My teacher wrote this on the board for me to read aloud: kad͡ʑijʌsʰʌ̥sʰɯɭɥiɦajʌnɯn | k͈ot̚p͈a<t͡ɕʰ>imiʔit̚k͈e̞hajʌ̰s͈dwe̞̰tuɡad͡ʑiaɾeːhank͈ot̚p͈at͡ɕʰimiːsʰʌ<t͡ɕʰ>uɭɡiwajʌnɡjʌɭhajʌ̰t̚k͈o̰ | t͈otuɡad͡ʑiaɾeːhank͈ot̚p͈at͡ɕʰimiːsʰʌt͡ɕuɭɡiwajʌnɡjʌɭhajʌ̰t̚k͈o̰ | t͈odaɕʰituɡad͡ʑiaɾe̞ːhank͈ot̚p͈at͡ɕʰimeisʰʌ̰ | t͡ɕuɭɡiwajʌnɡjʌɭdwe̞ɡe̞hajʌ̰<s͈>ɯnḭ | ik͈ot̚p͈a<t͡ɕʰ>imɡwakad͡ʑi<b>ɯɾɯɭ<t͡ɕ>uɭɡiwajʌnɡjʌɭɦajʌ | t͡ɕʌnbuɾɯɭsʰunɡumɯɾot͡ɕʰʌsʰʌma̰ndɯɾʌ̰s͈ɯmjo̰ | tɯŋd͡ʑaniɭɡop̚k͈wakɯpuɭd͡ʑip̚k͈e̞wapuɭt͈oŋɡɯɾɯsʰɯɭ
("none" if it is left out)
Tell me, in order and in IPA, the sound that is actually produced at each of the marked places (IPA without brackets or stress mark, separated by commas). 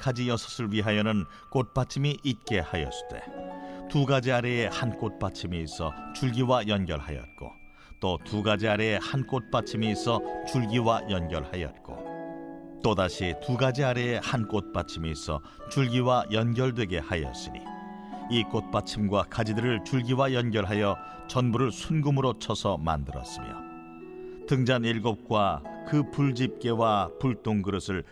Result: t͡ɕʰ, t͡ɕ, s͈, t͡ɕʰ, d, t͡ɕ